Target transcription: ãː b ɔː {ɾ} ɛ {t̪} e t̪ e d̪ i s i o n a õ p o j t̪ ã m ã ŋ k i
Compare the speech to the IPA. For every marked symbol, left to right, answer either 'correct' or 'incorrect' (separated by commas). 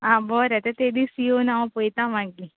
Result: correct, correct